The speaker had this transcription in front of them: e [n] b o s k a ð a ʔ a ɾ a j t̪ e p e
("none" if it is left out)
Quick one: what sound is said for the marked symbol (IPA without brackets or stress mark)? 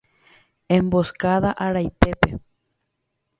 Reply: m